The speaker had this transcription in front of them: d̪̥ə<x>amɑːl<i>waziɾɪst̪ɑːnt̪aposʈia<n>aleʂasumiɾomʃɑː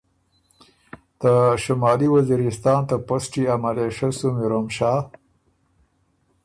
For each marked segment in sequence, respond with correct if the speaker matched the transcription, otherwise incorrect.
incorrect, correct, incorrect

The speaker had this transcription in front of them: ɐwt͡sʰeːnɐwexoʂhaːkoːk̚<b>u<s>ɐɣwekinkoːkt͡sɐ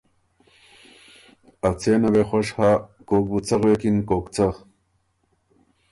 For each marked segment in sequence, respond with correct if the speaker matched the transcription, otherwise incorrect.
correct, incorrect

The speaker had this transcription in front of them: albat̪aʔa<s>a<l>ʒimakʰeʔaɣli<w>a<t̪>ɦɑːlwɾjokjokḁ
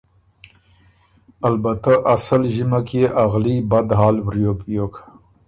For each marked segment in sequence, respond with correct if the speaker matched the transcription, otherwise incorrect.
correct, correct, incorrect, incorrect

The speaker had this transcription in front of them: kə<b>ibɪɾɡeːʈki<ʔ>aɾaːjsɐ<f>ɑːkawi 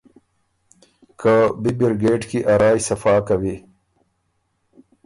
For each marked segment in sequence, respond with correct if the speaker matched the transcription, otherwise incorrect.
correct, correct, correct

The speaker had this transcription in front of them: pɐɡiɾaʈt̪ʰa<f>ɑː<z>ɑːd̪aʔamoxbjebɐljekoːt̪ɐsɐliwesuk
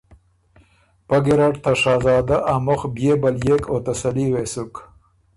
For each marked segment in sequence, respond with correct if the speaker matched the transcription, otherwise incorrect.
incorrect, correct

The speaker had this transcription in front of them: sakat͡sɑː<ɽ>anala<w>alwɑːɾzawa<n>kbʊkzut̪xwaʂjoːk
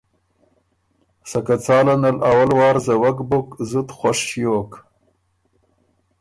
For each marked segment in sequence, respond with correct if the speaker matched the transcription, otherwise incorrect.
incorrect, correct, incorrect

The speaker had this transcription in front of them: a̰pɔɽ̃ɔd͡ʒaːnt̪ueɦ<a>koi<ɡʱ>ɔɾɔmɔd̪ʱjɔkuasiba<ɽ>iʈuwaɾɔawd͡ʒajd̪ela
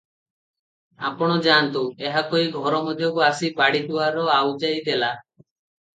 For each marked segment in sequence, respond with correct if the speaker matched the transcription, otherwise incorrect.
correct, correct, correct

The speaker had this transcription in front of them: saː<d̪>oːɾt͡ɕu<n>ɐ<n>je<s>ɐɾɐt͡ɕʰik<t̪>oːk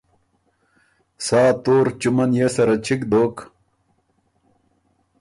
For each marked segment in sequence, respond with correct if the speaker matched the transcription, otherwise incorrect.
incorrect, incorrect, correct, correct, incorrect

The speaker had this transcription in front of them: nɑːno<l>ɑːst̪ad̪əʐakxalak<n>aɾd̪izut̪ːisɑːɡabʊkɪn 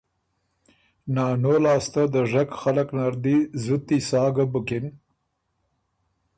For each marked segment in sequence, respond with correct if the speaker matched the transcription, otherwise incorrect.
correct, correct

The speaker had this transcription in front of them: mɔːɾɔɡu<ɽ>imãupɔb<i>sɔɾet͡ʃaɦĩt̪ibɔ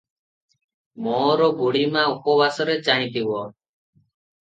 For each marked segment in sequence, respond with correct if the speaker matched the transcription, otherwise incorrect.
correct, incorrect

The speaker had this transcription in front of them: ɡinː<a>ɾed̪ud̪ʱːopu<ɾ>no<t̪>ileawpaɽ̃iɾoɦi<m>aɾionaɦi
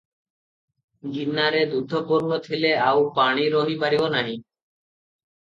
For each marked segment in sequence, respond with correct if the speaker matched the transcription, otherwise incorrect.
correct, correct, incorrect, incorrect

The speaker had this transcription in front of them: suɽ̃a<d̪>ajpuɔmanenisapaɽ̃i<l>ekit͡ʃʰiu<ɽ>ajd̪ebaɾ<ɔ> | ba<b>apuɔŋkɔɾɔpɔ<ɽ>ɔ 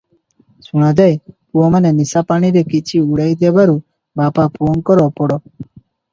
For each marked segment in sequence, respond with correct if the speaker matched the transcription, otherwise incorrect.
correct, incorrect, correct, incorrect, incorrect, correct

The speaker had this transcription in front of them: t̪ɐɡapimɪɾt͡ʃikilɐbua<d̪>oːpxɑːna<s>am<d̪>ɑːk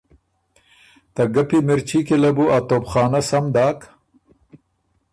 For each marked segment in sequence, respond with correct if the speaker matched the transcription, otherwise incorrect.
incorrect, correct, correct

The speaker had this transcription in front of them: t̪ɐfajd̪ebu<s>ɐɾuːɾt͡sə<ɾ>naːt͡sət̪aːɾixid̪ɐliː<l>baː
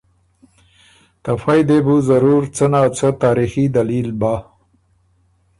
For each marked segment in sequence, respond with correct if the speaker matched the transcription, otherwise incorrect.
incorrect, incorrect, correct

